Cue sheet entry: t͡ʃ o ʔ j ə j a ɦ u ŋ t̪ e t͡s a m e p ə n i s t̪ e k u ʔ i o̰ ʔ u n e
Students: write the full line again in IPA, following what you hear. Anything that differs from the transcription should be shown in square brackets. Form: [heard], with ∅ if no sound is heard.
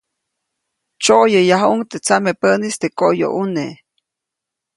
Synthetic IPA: t͡ʃ o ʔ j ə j a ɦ u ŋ t̪ e t͡s a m e p ə n i s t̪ e k [o] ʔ [j] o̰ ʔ u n e